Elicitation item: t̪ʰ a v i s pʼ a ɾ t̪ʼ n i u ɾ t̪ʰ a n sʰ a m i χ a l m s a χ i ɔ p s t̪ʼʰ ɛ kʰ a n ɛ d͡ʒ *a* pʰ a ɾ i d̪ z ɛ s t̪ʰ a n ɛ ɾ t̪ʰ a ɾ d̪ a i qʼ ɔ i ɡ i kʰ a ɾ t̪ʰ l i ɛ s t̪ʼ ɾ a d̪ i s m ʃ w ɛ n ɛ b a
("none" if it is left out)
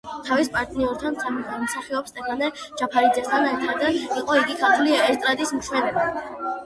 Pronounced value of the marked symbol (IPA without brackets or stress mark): a